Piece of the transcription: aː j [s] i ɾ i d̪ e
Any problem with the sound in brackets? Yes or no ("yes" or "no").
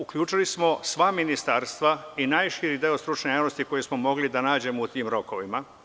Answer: yes